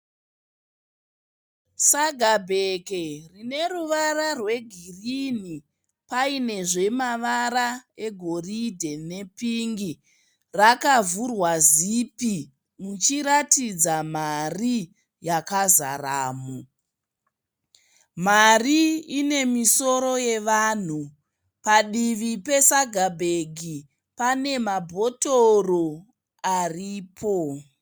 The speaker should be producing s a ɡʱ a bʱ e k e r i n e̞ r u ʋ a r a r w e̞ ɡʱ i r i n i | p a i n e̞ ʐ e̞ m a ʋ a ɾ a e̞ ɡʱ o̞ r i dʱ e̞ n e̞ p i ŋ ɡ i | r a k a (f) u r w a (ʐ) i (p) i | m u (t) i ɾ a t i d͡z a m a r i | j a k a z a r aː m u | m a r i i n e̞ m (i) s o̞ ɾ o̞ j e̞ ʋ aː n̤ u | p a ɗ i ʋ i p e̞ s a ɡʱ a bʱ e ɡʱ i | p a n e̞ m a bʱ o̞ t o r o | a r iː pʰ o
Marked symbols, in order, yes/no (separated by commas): no, no, yes, no, yes